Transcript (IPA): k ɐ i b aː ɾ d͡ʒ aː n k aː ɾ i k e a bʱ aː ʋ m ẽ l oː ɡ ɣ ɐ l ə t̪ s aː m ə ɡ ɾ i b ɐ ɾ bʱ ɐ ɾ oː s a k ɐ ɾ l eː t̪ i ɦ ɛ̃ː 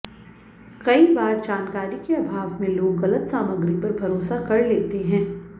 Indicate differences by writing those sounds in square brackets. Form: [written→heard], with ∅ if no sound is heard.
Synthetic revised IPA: k ɐ i b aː ɾ d͡ʒ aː n k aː ɾ i k e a bʱ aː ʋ m ẽ l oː ɡ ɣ ɐ l ə t̪ s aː m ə ɡ ɾ i [b→p] ɐ ɾ bʱ ɐ ɾ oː s a k ɐ ɾ l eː t̪ [i→e] ɦ ɛ̃ː

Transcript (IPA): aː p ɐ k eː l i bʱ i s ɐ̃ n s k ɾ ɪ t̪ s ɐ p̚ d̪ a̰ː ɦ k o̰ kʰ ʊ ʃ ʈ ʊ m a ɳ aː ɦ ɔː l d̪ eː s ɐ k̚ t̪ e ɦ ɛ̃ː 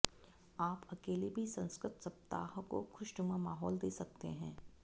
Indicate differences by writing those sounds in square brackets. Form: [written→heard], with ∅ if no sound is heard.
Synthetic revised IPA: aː p ɐ k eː l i bʱ i s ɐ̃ n s k ɾ ɪ t̪ s ɐ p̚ [d̪→t̪] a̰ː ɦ k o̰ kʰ ʊ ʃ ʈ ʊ m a [ɳ→m] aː ɦ ɔː l d̪ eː s ɐ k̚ t̪ e ɦ ɛ̃ː

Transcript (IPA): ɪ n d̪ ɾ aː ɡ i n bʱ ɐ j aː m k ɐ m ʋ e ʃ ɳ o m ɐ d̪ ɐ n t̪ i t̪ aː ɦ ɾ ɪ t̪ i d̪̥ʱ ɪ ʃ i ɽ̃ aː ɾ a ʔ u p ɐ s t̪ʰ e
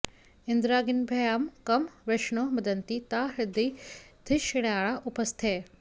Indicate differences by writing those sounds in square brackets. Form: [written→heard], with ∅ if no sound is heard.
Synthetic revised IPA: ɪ n d̪ ɾ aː ɡ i n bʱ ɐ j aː m k ɐ m ʋ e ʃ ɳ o m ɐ d̪ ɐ n t̪ i t̪ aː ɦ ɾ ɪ [t̪→d̪] i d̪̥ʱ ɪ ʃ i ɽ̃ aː [ɾ→ɭ] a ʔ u p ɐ s t̪ʰ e

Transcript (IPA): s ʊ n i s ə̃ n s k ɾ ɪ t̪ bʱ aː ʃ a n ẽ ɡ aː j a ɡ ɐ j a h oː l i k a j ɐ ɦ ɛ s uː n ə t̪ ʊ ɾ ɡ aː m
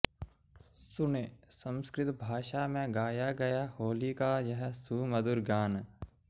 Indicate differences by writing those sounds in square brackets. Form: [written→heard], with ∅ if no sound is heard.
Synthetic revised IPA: s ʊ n [i→e] s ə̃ [n→m] s k ɾ ɪ t̪ bʱ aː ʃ a [n→m] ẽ ɡ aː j a ɡ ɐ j a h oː l i k a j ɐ ɦ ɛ s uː [n→m] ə [t̪→d̪] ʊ ɾ ɡ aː [m→n]

